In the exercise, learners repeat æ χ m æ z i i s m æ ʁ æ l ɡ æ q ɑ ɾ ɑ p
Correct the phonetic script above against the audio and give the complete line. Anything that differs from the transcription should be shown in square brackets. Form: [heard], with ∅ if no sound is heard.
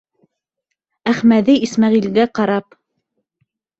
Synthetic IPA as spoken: æ χ m æ [ð] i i s m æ ʁ [i] l ɡ æ q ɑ ɾ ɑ p